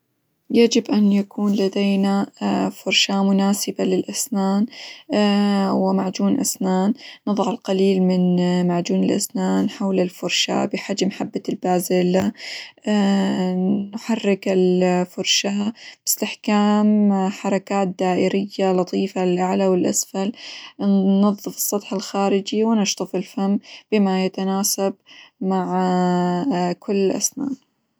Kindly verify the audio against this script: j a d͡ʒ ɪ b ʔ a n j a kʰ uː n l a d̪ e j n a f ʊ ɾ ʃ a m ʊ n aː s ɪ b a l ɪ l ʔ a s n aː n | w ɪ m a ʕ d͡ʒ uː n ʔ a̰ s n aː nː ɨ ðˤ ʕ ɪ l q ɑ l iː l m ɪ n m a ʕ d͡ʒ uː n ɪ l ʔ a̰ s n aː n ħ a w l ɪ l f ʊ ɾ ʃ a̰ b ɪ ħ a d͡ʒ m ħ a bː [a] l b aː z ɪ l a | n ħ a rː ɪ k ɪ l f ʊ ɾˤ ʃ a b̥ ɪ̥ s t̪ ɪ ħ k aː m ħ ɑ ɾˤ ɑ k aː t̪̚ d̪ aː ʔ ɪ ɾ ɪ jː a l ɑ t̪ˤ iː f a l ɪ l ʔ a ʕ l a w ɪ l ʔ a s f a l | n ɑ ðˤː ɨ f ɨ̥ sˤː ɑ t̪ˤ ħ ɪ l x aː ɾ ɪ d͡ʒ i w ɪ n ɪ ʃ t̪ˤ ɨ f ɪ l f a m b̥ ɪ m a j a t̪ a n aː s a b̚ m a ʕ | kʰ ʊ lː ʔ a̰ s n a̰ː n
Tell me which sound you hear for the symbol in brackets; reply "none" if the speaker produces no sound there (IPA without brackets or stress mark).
a